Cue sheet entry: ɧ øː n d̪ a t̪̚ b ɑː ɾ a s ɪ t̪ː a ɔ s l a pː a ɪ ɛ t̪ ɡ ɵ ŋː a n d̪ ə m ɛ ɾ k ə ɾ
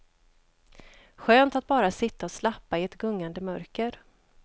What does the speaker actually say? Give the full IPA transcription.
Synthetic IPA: ɧ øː n t̪ a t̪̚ b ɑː ɾ a s ɪ t̪ː a ɔ s l a pː a ɪ ɛ t̪ ɡ ɵ ŋː a n d̪ ə m œ ɾ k ə ɾ